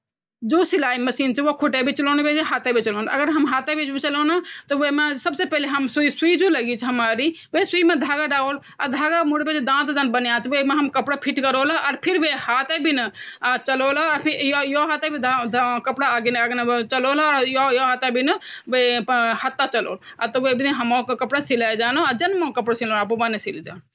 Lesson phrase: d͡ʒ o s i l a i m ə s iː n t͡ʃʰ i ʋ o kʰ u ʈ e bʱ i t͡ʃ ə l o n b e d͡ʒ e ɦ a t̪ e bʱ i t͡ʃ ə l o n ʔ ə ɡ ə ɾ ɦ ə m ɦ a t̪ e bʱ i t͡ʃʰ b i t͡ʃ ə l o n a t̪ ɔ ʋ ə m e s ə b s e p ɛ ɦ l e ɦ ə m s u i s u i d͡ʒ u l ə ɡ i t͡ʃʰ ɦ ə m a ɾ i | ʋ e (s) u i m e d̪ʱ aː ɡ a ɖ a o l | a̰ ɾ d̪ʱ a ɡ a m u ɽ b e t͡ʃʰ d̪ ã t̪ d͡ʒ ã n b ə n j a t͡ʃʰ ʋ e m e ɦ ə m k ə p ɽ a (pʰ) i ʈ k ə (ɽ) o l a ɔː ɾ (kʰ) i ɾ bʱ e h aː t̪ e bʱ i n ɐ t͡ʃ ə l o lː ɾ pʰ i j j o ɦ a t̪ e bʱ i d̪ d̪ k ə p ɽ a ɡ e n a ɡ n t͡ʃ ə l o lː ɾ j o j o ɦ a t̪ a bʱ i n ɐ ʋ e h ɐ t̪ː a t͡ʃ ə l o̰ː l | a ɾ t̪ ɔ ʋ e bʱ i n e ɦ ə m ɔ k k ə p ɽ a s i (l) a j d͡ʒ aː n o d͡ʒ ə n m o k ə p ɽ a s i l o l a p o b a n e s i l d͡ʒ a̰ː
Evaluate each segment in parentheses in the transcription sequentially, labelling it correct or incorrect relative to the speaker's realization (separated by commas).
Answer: correct, correct, incorrect, incorrect, correct